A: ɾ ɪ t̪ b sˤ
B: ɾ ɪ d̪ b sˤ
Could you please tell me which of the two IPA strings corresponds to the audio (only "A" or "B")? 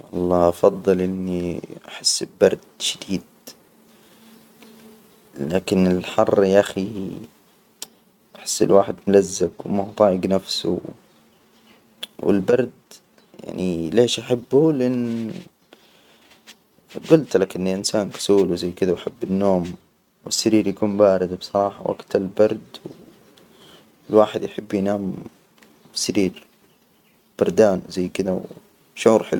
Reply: B